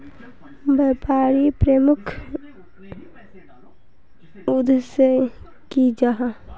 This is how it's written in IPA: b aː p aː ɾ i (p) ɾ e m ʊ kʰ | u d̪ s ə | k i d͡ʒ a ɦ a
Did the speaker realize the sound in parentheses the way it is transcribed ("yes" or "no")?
yes